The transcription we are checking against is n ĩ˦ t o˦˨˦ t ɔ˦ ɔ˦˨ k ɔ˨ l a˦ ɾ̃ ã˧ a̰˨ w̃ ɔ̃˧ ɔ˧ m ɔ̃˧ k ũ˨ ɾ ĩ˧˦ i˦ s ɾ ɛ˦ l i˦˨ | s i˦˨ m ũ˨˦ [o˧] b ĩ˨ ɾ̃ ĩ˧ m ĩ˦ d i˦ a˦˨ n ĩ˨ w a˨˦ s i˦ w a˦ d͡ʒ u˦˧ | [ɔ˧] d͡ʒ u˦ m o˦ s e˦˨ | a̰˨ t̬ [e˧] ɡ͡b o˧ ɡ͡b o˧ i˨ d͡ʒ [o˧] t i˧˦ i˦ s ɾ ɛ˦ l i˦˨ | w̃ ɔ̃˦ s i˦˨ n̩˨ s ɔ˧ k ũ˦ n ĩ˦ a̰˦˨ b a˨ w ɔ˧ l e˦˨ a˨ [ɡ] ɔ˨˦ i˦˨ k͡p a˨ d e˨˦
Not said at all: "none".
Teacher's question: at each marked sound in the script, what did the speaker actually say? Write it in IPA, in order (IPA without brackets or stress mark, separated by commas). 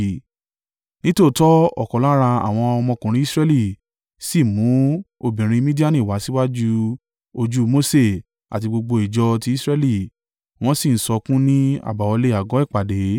o˧, o˧, i˧, ɔ˧, ɡ